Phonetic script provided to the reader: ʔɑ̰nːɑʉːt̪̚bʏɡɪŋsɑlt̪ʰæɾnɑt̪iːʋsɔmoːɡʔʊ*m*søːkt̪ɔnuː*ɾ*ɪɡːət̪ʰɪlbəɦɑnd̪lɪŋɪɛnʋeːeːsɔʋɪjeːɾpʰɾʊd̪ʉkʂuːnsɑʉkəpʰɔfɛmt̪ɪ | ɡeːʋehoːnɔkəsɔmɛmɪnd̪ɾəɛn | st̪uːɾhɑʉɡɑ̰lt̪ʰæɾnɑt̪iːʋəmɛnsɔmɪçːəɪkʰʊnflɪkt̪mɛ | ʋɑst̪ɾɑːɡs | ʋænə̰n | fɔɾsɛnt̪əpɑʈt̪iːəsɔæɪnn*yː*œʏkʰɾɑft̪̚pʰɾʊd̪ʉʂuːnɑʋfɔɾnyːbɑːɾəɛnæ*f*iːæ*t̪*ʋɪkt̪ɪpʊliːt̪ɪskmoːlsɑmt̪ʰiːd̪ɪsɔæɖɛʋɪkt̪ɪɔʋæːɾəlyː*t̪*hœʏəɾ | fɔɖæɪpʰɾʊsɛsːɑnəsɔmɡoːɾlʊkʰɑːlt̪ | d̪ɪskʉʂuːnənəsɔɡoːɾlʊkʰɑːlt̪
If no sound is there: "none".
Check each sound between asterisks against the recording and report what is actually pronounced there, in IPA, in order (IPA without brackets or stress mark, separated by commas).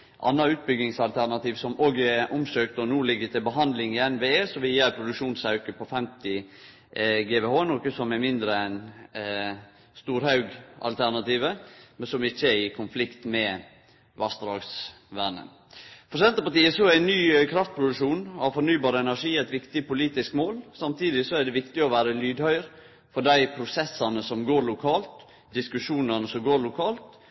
m, l, yː, ʂ, t̪, d̪